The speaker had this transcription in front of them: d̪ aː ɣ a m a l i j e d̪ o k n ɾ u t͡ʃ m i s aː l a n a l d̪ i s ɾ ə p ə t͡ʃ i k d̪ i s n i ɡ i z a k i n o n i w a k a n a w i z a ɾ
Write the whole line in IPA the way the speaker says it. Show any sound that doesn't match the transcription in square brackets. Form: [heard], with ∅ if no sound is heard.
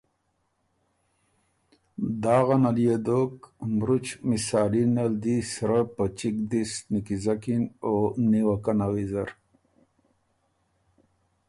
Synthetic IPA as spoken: d̪ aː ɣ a [n] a l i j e d̪ o k [m] ɾ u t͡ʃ m i s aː l [i] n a l d̪ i s ɾ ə p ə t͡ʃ i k d̪ i s n i [k] i z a k i n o n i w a k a n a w i z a ɾ